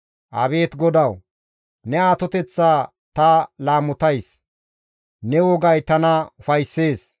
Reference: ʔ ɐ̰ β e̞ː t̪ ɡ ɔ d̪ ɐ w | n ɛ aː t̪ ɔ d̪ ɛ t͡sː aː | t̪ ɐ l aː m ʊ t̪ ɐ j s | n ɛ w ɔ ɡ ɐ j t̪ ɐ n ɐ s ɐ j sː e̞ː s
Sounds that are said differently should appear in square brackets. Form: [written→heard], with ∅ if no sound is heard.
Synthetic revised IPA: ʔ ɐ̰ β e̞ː t̪ ɡ ɔ d̪ ɐ w | n ɛ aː t̪ ɔ [d̪→t̪] ɛ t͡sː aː | t̪ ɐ l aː m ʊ t̪ ɐ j s | n ɛ w ɔ ɡ ɐ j t̪ ɐ n ɐ [s→f] ɐ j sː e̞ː s